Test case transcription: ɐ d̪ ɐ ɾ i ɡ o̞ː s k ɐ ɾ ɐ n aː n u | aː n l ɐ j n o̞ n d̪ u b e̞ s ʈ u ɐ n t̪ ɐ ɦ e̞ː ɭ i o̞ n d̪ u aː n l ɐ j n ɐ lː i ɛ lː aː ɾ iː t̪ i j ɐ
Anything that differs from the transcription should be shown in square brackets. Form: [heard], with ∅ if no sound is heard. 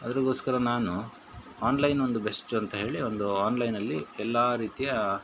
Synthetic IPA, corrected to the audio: ɐ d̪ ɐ ɾ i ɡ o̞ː s k ɐ ɾ ɐ n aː n u | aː n l ɐ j n o̞ n d̪ u b e̞ s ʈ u ɐ n t̪ ɐ ɦ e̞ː ɭ i o̞ n d̪ u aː n l ɐ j n ɐ lː i ɛ lː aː ɾ iː t̪ i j ɐ